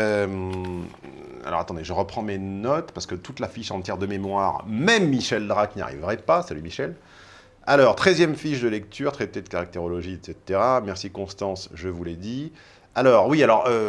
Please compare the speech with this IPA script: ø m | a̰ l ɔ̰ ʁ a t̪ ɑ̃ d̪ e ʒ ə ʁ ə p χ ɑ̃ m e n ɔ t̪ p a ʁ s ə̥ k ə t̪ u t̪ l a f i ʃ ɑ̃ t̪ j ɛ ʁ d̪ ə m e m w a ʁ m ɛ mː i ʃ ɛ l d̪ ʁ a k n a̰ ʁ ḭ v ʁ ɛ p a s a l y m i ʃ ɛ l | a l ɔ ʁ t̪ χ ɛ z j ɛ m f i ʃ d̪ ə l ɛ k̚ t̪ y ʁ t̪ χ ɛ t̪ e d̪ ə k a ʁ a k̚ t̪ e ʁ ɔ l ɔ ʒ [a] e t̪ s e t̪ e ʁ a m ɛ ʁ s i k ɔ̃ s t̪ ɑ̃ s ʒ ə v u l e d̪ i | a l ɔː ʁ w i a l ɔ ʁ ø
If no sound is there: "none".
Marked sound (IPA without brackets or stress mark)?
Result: i